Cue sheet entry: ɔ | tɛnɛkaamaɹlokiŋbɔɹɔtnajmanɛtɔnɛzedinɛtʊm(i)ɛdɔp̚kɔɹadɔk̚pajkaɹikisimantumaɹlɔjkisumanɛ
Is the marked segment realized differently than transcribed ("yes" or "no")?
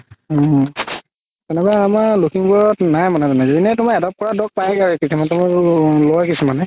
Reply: yes